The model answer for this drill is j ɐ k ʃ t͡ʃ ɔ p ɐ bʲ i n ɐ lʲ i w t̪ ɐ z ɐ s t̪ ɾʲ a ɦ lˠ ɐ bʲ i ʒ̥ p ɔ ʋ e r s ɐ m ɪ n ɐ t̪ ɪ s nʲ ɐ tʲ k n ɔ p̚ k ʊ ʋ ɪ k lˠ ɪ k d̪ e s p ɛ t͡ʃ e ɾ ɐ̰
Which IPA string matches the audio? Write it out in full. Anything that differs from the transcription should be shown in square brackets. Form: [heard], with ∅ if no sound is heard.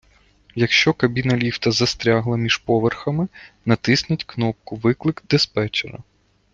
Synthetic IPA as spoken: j ɐ k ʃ t͡ʃ ɔ [k] ɐ bʲ i n ɐ lʲ i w t̪ ɐ z ɐ s t̪ ɾʲ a ɦ lˠ ɐ [mʲ] i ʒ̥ p ɔ ʋ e r [x] ɐ m ɪ n ɐ t̪ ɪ s nʲ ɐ tʲ k n ɔ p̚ k ʊ ʋ ɪ k lˠ ɪ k d̪ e s p ɛ t͡ʃ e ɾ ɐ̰

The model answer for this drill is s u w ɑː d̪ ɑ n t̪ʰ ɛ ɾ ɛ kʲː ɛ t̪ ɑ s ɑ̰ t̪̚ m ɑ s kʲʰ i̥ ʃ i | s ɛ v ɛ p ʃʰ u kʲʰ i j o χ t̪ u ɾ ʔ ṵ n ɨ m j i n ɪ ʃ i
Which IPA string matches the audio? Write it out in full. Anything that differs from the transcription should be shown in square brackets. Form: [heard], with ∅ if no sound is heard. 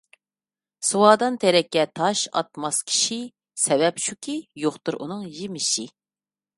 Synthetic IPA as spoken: s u w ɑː d̪ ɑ n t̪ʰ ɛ ɾ ɛ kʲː ɛ [t̪ʰ] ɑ [ʃ] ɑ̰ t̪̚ m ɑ s kʲʰ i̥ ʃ i | s ɛ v ɛ p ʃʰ u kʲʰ i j o χ t̪ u ɾ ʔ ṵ n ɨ [ŋ] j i [m] ɪ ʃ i

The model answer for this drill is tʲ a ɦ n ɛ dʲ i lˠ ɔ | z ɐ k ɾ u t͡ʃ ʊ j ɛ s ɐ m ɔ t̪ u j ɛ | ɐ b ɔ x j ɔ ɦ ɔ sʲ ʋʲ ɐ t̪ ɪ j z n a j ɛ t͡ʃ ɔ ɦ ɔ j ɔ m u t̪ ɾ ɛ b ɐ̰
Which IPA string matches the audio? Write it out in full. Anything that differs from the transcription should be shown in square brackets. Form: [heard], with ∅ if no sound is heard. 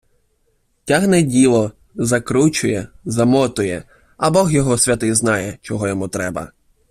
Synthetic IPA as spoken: tʲ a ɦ n ɛ dʲ i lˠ ɔ | z ɐ k ɾ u t͡ʃ ʊ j ɛ [z] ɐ m ɔ t̪ [ʊ] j ɛ | ɐ b ɔ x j ɔ ɦ ɔ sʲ ʋʲ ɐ t̪ ɪ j z n [ɑ] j ɛ t͡ʃ ɔ ɦ ɔ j ɔ m u t̪ ɾ ɛ b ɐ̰

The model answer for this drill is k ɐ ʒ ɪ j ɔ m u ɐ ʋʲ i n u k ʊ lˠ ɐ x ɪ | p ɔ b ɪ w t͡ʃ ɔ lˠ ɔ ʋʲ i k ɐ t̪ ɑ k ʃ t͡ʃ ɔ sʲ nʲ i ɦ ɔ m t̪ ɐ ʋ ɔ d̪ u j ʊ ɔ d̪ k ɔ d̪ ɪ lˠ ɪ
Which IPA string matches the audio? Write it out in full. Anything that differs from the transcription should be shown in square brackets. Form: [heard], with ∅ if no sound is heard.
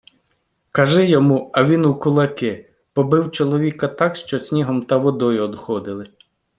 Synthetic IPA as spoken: k ɐ ʒ ɪ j ɔ m u ɐ ʋʲ i n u k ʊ lˠ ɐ [k] ɪ | p ɔ b ɪ w t͡ʃ ɔ lˠ ɔ ʋʲ i k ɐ t̪ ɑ k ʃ t͡ʃ ɔ sʲ nʲ i ɦ ɔ m t̪ ɐ ʋ ɔ d̪ [ɔ] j ʊ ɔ d̪ [x] ɔ d̪ ɪ lˠ ɪ

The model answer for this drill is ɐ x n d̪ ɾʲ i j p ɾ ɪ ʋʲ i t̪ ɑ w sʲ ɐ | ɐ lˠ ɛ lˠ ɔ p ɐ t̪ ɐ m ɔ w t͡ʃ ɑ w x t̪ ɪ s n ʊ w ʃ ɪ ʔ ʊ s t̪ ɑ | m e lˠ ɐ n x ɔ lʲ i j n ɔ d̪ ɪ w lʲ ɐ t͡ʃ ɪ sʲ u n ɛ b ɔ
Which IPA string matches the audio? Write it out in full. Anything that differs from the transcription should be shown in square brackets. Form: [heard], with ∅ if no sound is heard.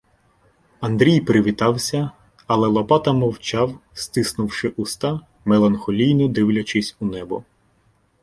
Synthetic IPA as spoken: ɐ [∅] n d̪ ɾʲ i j p ɾ ɪ ʋʲ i t̪ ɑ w sʲ ɐ | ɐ lˠ ɛ lˠ ɔ p [ɑ] t̪ ɐ m ɔ w t͡ʃ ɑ w [s] t̪ ɪ s n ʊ w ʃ ɪ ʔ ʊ s t̪ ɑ | m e lˠ ɐ n x ɔ lʲ i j n ɔ d̪ ɪ w lʲ ɐ t͡ʃ ɪ sʲ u n ɛ b ɔ

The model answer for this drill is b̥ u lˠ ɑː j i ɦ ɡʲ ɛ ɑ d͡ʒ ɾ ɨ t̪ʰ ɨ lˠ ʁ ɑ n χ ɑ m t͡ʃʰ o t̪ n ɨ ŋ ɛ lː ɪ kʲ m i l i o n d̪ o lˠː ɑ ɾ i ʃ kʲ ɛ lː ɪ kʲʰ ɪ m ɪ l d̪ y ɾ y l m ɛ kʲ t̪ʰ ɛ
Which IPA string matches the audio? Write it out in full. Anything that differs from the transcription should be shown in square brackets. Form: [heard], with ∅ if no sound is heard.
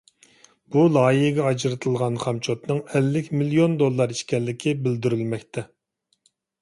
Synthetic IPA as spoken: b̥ u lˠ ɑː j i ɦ ɡʲ ɛ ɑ d͡ʒ ɾ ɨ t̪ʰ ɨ lˠ ʁ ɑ n χ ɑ m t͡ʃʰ o t̪ n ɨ ŋ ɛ lː ɪ kʲ m i l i o n d̪ o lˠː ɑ ɾ i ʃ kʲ ɛ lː ɪ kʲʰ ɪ [b] ɪ l d̪ y ɾ y l m ɛ kʲ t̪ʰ ɛ

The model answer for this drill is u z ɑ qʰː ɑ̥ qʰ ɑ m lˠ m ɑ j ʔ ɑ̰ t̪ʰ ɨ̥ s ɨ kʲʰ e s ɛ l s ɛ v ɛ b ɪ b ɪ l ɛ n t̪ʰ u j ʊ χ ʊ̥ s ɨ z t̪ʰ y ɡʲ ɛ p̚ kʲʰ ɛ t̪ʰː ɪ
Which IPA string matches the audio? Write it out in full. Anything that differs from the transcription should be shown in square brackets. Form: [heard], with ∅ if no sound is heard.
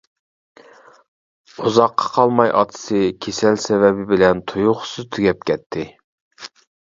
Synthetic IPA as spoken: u z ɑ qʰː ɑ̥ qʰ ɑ [∅] lˠ m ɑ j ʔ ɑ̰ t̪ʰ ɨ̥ s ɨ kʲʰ e s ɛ l s ɛ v ɛ b ɪ b ɪ l ɛ n t̪ʰ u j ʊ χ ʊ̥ s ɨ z t̪ʰ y ɡʲ ɛ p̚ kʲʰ ɛ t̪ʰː ɪ

